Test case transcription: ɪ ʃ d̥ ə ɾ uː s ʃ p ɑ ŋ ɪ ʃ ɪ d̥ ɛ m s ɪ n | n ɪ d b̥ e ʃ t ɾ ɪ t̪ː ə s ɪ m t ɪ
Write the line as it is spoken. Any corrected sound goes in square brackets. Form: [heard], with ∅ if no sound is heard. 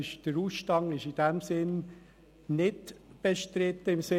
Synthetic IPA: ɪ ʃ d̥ ə ɾ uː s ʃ [t] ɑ ŋ ɪ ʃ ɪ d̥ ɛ m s ɪ n | n ɪ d b̥ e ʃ t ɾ ɪ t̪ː ə [∅] ɪ m [s] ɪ